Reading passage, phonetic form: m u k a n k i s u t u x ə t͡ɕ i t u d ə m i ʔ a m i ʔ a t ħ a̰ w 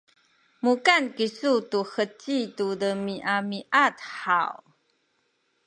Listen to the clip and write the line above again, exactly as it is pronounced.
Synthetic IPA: m u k a n k i s u t u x ə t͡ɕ i t u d ə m i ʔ a m i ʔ a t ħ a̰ w